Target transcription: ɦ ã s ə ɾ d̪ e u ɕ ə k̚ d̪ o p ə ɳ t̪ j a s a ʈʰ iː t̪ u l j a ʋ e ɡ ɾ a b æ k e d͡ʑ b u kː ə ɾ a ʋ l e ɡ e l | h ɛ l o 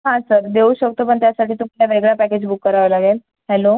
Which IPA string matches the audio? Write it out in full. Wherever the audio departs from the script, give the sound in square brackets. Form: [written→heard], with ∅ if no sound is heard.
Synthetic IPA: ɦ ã s ə ɾ d̪ e u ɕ ə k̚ [d̪→t̪] o p ə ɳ t̪ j a s a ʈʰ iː t̪ u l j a ʋ e ɡ [ɾ→ɭ] a [b→p] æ k e d͡ʑ b u kː ə ɾ a ʋ l [e→a] ɡ e l | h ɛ l o